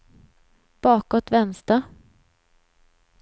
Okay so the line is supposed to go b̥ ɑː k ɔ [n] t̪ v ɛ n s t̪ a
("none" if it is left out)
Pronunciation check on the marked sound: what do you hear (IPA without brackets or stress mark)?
none